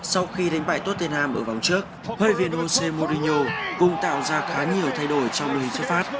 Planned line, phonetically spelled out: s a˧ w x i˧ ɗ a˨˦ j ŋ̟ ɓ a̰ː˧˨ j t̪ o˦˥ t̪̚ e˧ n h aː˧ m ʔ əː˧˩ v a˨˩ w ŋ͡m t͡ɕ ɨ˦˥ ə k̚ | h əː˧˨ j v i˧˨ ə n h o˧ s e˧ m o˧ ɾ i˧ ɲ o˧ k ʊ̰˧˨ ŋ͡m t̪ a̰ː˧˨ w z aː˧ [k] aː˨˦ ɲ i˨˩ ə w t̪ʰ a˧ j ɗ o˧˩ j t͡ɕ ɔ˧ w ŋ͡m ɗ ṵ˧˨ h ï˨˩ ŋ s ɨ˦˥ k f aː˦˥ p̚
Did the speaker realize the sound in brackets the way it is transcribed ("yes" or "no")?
no